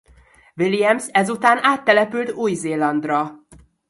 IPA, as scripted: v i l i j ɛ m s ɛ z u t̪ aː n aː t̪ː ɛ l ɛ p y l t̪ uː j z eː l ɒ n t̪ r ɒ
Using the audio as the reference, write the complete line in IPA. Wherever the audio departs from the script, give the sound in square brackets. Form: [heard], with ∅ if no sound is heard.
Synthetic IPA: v i l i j ɛ m s ɛ z u t̪ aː n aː t̪ː ɛ l ɛ p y l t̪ uː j z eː l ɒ n [d̪] r ɒ